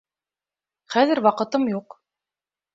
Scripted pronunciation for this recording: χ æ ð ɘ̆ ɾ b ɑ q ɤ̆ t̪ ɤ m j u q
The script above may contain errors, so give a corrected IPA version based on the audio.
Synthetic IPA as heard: χ æ ð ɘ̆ ɾ w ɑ q ɤ̆ t̪ ɤ m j u q